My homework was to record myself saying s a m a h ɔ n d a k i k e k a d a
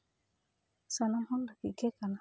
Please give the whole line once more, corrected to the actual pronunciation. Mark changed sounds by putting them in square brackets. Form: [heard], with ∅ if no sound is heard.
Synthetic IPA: s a [n] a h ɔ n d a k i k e k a [n] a